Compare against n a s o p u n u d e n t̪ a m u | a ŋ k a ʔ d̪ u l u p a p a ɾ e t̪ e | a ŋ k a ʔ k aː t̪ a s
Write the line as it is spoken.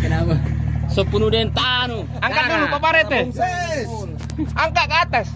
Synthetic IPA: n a s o p u n u d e n t̪ a n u | a ŋ k a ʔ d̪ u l u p a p a ɾ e t̪ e | a ŋ k a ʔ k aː t̪ a s